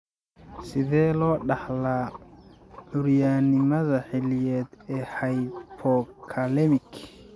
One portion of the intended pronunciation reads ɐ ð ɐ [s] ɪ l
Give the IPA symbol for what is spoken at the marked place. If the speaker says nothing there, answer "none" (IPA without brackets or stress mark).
ħ